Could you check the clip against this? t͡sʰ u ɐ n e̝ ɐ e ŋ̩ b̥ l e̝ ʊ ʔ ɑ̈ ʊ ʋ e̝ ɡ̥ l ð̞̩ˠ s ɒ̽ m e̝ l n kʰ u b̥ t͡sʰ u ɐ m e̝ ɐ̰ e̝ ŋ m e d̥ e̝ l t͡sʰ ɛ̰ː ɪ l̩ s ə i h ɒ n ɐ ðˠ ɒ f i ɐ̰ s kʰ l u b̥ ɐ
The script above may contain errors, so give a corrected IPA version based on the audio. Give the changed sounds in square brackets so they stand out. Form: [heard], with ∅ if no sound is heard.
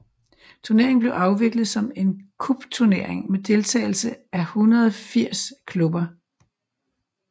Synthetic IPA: t͡sʰ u ɐ n e̝ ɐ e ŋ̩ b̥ l e̝ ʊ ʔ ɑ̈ ʊ ʋ e̝ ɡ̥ l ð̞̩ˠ s ɒ̽ m e̝ [∅] n kʰ u b̥ t͡sʰ u ɐ [n] e̝ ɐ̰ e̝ ŋ m e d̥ e̝ l t͡sʰ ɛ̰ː ɪ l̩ s ə [æ] h [u] n ɐ ðˠ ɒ f i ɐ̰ s kʰ l u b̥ ɐ